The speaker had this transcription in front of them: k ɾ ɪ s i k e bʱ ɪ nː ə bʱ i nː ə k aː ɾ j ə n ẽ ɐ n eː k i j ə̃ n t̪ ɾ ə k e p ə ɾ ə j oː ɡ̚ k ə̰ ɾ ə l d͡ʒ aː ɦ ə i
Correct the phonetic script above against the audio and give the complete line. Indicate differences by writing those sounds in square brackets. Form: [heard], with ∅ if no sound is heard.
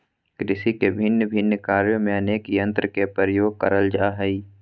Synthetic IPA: k ɾ ɪ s i k e bʱ ɪ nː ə bʱ [ɪ] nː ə k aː ɾ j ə [m] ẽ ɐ n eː k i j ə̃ n t̪ ɾ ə k e p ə ɾ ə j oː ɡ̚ k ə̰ ɾ ə l d͡ʒ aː ɦ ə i